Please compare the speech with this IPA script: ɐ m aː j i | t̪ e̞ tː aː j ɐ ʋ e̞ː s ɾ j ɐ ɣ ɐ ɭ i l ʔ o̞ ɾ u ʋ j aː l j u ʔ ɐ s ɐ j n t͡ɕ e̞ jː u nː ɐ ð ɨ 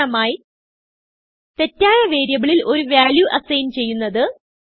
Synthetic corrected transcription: ɐ m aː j i | t̪ e̞ tː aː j ɐ ʋ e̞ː ɾ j ɐ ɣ ɐ ɭ i l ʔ o̞ ɾ u ʋ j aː l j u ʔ ɐ s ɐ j n t͡ɕ e̞ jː u nː ɐ ð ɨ

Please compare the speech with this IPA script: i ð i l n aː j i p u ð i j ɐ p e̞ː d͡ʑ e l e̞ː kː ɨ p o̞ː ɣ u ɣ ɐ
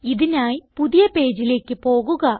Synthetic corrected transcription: i ð i n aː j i p u ð i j ɐ p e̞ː d͡ʑ i l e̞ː kː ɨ p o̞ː ɣ u ɣ ɐ

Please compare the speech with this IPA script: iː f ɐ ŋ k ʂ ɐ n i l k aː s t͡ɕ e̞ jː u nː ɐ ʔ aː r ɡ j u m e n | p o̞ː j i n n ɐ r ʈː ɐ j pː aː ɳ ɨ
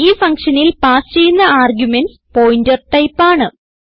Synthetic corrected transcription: iː f ɐ ŋ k ʂ ɐ n i l p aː s t͡ɕ e̞ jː u nː ɐ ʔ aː r ɡ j u m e n | p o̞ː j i n d ɐ r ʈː ɐ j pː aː ɳ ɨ

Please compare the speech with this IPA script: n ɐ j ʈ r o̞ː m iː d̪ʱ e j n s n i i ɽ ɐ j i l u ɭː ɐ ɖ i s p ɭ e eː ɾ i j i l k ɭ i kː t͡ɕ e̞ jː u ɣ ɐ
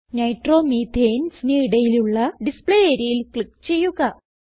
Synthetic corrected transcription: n ɐ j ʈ r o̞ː m iː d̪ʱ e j n s n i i ɽ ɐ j i l u ɭː ɐ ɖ i s p ɭ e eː ɾ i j i l k ɭ i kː t͡ɕ e̞ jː u ɣ ɐ

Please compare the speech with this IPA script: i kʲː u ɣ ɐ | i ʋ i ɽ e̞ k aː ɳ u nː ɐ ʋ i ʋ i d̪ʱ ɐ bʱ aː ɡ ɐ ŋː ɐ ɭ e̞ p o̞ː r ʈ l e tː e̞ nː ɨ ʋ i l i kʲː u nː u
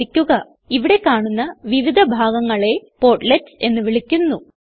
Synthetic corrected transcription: i kʲː u ɣ ɐ | i ʋ i ɽ e̞ k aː ɳ u nː ɐ ʋ i ʋ i d̪ʱ ɐ bʱ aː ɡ ɐ ŋː ɐ ɭ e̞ p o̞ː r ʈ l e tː e̞ nː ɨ ʋ i ɭ i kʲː u nː u

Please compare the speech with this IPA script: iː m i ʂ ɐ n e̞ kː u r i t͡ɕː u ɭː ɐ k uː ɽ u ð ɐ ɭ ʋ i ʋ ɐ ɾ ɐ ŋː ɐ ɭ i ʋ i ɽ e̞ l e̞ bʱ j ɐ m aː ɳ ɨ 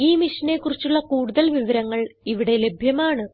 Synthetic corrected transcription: iː m i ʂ ɐ n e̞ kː u r i t͡ɕː u ɭː ɐ k uː ɽ u ð ɐ l ʋ i ʋ ɐ ɾ ɐ ŋː ɐ ɭ i ʋ i ɽ e̞ l e̞ bʱ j ɐ m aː ɳ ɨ

